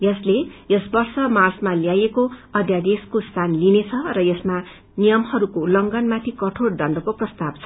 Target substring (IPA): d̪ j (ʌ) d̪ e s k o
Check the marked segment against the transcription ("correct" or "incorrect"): incorrect